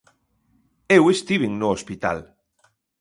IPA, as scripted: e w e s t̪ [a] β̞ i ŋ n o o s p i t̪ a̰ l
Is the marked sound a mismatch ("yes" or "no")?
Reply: yes